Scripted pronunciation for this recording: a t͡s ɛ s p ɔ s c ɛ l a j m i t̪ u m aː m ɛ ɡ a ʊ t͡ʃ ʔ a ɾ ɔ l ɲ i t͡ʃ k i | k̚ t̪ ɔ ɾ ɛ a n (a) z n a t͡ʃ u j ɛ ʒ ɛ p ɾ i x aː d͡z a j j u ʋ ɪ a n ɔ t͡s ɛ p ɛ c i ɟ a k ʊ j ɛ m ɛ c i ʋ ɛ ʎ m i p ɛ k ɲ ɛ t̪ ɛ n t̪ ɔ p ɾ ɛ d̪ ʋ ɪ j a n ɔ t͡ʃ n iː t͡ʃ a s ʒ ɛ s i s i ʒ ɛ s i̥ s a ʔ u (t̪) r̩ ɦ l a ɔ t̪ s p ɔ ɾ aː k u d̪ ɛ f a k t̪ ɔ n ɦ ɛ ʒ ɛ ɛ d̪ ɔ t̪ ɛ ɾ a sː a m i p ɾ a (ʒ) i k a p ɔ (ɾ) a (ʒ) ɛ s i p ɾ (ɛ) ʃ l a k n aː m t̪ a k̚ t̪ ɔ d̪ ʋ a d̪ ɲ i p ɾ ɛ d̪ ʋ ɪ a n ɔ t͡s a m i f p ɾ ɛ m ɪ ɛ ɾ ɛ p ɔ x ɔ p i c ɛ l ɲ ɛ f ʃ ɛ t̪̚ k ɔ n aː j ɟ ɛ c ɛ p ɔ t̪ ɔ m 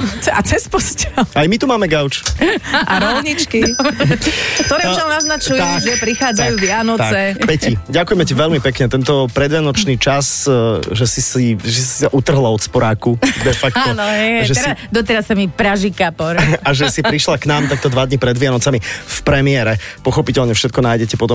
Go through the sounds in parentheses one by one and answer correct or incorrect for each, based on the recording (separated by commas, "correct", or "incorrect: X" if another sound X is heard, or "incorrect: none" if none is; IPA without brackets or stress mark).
correct, correct, correct, correct, correct, incorrect: i